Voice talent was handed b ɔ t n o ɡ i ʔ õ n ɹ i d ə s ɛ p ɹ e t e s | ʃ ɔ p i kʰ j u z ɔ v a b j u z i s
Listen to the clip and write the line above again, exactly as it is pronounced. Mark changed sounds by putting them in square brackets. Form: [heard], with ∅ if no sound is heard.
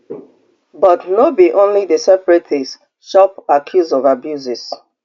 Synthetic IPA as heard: b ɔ t n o [b] i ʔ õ n [l] i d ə s ɛ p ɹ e t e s | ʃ ɔ p [a] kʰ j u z ɔ v a b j u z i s